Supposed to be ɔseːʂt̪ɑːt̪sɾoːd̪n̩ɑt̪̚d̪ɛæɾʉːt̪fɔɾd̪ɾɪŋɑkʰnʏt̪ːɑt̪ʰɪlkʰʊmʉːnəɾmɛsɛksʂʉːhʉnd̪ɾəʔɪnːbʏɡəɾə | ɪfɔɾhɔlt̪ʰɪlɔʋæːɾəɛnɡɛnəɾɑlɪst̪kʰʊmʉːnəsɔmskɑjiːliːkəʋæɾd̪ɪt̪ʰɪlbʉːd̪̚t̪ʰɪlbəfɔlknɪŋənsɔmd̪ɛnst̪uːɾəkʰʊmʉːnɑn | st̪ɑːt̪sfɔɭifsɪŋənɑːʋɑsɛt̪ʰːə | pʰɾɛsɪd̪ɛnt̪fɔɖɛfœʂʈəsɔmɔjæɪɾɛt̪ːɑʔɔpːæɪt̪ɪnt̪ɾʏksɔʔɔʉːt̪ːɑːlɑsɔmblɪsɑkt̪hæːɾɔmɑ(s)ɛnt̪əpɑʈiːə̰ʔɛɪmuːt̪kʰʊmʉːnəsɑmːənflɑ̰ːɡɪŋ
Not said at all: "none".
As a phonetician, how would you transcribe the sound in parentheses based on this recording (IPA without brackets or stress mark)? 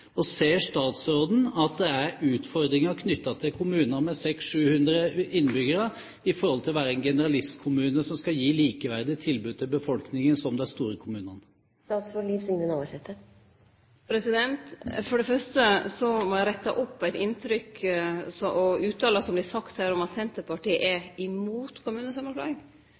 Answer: s